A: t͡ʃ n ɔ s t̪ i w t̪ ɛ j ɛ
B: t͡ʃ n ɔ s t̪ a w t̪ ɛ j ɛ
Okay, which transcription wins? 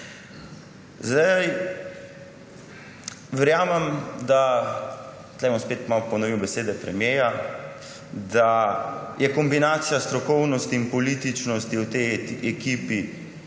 A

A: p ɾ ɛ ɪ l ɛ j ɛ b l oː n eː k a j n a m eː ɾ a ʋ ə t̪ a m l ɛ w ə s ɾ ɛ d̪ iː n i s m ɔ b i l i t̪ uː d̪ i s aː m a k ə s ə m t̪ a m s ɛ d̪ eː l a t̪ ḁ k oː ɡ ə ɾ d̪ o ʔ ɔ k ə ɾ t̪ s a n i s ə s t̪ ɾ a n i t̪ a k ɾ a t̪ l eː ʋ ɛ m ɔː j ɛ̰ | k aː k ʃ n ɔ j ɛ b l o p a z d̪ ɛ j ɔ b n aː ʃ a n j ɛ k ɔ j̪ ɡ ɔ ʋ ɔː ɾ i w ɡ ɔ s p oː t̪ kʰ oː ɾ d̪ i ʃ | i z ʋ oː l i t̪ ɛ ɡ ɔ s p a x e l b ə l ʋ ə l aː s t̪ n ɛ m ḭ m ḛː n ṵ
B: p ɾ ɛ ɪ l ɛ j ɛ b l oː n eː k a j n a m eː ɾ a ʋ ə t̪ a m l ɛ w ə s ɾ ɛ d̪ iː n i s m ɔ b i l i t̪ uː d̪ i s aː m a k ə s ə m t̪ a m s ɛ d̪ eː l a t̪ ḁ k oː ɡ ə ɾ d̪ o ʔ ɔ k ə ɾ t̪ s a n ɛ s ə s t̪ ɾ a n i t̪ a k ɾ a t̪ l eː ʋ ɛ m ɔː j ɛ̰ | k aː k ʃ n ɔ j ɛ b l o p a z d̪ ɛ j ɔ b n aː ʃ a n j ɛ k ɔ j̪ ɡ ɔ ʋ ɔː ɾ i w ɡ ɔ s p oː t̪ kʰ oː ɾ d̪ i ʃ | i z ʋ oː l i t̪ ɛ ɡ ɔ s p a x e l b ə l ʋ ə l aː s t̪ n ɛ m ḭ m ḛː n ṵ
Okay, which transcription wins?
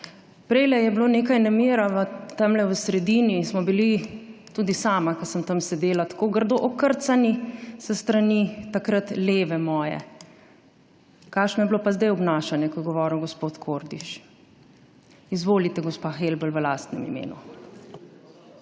A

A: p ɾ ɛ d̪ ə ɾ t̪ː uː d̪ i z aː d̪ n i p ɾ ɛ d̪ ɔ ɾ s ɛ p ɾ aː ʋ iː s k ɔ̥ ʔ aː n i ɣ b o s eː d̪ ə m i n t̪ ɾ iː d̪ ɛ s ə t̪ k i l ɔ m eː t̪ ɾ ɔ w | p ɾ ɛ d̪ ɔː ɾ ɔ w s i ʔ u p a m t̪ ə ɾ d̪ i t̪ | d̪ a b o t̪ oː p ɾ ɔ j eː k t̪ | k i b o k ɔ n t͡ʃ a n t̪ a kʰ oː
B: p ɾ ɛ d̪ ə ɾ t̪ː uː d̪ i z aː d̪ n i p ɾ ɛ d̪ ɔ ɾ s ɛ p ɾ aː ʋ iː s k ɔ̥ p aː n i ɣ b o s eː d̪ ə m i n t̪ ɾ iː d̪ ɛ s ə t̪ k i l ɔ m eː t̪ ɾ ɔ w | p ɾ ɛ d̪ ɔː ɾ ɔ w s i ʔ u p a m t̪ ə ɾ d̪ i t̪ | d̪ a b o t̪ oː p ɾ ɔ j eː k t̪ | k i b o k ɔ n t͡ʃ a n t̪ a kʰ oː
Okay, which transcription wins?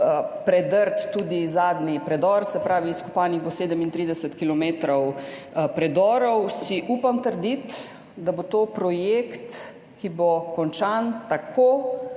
B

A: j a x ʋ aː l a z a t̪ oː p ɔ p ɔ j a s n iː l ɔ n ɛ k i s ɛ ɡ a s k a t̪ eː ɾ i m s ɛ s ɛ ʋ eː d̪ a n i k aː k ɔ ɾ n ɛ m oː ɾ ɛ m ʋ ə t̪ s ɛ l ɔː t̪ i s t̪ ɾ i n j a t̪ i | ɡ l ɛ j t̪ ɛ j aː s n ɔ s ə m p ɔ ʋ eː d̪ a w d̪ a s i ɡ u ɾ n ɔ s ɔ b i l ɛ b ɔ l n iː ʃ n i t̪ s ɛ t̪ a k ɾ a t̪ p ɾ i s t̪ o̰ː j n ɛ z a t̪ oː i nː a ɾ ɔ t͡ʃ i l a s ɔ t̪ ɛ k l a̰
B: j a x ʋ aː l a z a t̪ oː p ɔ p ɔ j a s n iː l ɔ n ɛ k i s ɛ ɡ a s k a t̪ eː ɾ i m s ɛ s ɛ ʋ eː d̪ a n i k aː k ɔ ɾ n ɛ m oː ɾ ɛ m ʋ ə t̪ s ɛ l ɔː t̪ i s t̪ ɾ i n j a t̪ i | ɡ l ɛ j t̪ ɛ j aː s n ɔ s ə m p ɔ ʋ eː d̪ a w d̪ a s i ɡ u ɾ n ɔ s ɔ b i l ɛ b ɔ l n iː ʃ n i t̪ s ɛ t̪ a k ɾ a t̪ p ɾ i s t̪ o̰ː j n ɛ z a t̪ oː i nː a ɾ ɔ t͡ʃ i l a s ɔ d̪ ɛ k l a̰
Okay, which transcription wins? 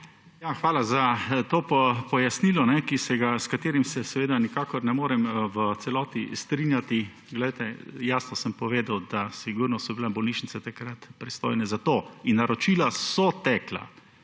A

